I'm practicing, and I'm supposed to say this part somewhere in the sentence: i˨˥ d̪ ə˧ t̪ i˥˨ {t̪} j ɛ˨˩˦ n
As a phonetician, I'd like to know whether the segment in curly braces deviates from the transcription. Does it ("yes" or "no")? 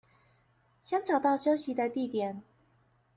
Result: no